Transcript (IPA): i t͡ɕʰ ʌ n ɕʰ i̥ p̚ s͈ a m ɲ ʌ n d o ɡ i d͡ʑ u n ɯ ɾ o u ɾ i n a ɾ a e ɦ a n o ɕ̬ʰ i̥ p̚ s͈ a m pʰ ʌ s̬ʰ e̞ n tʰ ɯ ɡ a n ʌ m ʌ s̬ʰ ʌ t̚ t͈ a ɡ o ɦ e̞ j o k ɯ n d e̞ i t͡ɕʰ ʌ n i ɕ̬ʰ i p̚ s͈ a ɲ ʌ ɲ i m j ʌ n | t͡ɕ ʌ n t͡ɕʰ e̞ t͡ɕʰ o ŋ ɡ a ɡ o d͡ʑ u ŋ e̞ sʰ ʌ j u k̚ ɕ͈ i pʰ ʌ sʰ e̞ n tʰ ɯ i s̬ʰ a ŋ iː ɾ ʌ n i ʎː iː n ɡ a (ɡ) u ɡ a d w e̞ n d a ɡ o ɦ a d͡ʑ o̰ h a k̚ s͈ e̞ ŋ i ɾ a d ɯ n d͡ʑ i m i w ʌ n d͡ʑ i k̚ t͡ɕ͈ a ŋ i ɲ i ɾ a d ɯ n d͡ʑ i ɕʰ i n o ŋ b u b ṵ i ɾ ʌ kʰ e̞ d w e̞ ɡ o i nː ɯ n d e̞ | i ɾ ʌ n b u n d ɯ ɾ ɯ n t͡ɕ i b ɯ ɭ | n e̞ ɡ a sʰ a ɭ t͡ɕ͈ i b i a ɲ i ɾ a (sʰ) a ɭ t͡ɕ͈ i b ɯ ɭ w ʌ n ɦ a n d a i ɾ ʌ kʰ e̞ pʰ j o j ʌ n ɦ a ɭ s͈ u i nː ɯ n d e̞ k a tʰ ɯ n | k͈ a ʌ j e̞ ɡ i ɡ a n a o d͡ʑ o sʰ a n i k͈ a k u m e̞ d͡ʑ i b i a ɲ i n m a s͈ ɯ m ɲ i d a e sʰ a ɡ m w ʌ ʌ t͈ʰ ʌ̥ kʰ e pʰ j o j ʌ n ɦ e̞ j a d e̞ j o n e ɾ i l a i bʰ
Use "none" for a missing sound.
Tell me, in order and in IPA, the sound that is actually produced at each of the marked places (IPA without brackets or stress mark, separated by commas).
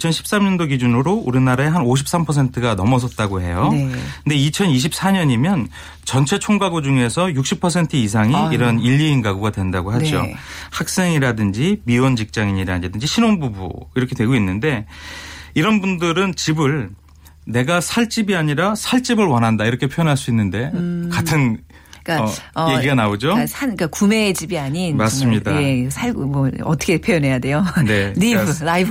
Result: ɡ, sʰ